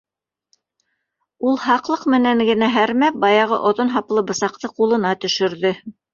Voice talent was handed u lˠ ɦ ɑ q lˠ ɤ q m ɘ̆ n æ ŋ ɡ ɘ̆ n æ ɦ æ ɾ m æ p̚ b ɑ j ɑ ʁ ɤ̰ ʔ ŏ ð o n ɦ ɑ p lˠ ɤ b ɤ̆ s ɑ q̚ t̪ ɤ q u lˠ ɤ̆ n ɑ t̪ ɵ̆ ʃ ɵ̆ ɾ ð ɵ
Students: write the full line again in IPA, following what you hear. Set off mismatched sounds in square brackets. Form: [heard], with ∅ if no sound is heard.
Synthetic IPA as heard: u lˠ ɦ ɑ q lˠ ɤ q m ɘ̆ n æ ŋ ɡ ɘ̆ n æ ɦ æ ɾ m æ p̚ b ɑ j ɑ ʁ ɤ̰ ʔ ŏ ð o n ɦ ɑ p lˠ ɤ b ɤ̆ s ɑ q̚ t̪ ɤ q u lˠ ɤ̆ n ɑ t̪ ɵ̆ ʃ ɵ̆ ɾ ð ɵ